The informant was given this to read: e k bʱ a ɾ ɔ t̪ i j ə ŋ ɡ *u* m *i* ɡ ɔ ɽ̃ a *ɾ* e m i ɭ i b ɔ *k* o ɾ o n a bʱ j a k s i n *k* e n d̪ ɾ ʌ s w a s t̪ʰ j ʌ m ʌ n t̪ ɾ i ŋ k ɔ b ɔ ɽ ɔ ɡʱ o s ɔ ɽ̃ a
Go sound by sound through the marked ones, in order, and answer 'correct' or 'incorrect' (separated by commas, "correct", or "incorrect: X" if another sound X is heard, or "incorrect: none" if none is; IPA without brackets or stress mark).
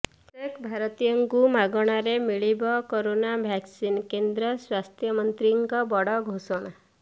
correct, incorrect: a, correct, correct, correct